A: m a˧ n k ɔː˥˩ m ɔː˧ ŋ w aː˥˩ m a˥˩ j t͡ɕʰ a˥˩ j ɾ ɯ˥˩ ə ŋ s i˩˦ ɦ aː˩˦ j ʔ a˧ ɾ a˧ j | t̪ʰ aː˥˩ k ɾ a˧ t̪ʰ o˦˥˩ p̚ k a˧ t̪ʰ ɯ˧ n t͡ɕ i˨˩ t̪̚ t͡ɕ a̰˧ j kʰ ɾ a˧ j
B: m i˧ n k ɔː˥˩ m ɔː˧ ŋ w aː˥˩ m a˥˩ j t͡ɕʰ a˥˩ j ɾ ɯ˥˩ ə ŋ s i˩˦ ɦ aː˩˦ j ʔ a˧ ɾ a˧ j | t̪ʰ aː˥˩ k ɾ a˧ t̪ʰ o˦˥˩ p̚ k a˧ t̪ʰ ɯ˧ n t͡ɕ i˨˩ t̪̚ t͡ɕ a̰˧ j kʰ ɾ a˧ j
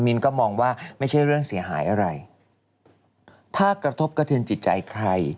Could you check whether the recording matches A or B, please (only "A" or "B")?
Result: B